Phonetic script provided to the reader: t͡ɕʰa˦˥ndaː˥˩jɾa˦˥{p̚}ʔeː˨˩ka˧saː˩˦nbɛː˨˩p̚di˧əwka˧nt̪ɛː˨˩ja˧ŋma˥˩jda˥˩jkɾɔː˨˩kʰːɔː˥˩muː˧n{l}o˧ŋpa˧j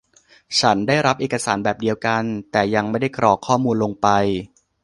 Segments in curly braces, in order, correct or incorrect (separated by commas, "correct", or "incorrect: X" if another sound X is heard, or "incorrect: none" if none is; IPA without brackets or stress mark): correct, correct